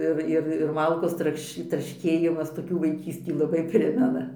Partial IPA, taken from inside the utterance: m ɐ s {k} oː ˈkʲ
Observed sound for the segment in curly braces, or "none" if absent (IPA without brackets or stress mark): t